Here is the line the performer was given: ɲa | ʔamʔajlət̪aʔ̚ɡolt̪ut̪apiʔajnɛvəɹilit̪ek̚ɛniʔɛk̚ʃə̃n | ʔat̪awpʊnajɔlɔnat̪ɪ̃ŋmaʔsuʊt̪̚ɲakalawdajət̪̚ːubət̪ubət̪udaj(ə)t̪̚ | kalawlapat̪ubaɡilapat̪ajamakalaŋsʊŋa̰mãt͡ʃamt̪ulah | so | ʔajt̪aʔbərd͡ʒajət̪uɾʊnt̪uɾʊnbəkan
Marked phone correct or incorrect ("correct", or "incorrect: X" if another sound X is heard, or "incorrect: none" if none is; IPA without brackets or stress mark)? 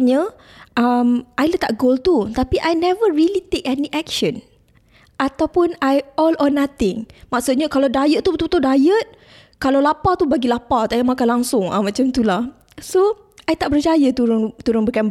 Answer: correct